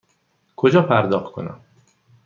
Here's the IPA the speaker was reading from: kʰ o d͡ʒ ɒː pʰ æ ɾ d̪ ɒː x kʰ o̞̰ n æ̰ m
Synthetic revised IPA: kʰ o d͡ʒ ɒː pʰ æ ɾ d̪ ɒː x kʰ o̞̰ n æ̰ m